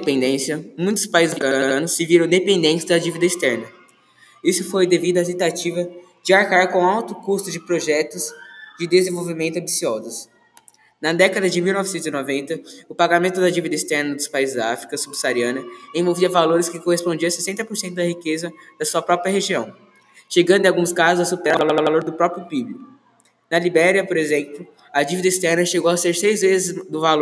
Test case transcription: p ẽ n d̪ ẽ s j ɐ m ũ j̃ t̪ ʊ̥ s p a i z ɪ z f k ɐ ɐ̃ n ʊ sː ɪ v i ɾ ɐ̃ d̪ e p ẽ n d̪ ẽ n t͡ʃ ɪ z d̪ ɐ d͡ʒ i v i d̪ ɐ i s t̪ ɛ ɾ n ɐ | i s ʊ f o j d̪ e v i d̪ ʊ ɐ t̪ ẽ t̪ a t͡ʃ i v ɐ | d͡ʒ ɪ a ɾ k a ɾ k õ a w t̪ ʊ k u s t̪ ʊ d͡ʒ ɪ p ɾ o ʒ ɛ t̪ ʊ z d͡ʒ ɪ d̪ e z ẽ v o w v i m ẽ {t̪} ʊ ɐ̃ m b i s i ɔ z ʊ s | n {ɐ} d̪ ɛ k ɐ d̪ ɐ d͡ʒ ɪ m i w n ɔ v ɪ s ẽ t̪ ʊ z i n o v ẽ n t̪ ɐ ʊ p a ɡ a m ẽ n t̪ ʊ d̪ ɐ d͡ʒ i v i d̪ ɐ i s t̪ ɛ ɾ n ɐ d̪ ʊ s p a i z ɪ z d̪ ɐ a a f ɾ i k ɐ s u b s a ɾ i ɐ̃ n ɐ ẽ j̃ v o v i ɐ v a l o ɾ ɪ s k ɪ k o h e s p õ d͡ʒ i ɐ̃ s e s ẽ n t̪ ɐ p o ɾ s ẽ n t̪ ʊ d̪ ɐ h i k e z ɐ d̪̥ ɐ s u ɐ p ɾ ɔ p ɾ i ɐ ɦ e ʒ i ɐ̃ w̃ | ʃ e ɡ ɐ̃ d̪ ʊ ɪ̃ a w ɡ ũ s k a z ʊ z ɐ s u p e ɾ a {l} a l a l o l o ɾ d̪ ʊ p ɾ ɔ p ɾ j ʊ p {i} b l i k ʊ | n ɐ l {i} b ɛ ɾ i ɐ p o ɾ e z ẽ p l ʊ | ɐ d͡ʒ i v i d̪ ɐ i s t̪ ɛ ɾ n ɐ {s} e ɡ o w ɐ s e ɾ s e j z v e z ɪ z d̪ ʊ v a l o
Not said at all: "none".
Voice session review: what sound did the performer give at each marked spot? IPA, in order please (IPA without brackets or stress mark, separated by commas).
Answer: t̪, ɐ, l, i, i, ʃ